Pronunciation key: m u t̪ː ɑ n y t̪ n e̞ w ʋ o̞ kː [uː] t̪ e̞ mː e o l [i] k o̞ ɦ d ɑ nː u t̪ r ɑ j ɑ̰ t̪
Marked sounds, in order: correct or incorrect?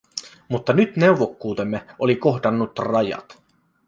correct, correct

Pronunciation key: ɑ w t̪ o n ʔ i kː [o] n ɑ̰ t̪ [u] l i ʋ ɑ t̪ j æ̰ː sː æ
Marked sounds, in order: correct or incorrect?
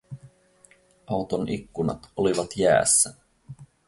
incorrect, incorrect

